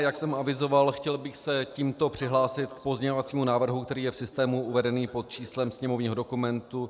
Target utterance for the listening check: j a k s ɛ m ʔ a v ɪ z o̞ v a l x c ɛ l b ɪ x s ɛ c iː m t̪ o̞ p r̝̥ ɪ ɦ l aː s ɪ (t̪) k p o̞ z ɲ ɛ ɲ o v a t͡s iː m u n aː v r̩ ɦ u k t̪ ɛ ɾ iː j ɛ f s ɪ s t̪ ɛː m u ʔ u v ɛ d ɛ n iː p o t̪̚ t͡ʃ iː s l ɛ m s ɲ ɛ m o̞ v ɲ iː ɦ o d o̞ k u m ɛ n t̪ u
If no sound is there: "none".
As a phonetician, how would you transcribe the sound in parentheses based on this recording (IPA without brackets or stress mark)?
t̪